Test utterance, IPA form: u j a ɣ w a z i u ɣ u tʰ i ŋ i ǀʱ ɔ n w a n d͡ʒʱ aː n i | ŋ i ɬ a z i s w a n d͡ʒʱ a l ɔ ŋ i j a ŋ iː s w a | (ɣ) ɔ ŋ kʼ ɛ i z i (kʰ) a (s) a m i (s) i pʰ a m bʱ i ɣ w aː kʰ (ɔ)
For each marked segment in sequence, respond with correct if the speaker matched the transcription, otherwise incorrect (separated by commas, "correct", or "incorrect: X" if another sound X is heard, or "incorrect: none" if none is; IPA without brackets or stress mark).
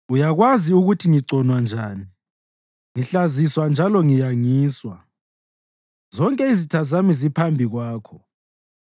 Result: incorrect: z, incorrect: tʰ, incorrect: z, incorrect: z, correct